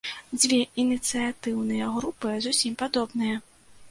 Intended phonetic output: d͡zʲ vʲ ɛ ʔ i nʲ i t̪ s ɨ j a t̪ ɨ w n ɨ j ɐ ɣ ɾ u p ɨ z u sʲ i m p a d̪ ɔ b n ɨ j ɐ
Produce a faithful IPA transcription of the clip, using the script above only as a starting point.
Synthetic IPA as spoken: d͡zʲ vʲ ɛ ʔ i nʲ i t̪ s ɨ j a t̪ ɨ w n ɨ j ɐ ɣ ɾ u p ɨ z u sʲ i m p a d̪ ɔ b n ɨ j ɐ